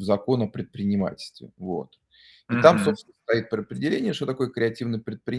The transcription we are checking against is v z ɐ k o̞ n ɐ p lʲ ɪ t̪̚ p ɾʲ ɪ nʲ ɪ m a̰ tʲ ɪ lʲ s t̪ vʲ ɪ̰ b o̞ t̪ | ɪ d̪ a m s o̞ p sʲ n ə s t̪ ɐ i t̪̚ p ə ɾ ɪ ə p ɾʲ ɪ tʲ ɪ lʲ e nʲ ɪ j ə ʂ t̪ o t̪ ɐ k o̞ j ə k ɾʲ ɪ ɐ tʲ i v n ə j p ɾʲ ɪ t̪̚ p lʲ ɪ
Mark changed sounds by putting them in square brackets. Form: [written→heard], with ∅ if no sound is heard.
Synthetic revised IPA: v z ɐ k o̞ n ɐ p [lʲ→ɾʲ] ɪ t̪̚ p ɾʲ ɪ nʲ ɪ m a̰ tʲ ɪ lʲ s t̪ vʲ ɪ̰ [b→v] o̞ t̪ | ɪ [d̪→t̪] a m s o̞ p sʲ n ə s t̪ ɐ i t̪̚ p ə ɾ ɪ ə p ɾʲ ɪ [tʲ→dʲ] ɪ lʲ e nʲ ɪ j ə ʂ t̪ o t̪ ɐ k o̞ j ə k ɾʲ ɪ ɐ tʲ i v n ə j p ɾʲ ɪ t̪̚ p [lʲ→ɾʲ] ɪ